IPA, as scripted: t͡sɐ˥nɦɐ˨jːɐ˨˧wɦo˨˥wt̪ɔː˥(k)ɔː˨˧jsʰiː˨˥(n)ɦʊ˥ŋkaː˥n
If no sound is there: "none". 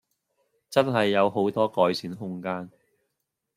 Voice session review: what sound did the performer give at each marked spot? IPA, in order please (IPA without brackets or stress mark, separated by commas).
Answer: k, n